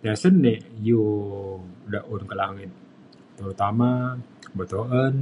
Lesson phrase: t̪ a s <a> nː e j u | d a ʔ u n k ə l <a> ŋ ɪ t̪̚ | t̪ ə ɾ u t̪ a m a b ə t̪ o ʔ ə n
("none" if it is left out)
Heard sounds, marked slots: ə, a

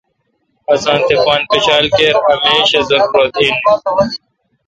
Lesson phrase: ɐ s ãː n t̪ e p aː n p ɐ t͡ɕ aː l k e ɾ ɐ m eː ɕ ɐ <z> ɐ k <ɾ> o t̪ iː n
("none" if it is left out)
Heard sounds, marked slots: z, ɾ

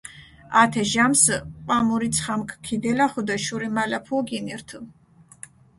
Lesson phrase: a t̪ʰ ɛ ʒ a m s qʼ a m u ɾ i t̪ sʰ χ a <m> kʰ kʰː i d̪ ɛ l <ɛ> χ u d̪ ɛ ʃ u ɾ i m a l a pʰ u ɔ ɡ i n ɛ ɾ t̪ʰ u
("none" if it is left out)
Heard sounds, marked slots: m, a

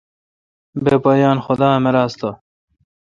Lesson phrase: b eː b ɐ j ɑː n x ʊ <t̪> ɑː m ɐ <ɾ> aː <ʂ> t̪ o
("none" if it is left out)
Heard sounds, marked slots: d̪, ɾ, s

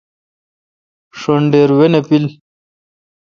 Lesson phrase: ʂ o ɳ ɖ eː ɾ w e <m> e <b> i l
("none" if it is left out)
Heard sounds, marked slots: n, p

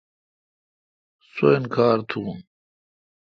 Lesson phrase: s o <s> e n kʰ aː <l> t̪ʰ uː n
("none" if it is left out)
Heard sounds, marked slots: none, ɾ

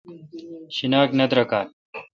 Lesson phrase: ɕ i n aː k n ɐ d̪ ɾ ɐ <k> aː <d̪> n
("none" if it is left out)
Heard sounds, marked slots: k, none

